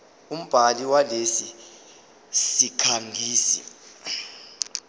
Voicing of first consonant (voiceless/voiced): voiced